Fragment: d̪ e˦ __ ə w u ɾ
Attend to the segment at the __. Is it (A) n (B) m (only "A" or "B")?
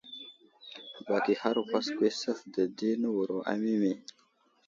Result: A